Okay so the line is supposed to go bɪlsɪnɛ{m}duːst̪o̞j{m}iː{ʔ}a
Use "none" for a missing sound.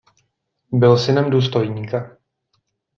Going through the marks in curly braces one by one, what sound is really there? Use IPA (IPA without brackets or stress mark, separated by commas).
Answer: m, ɲ, k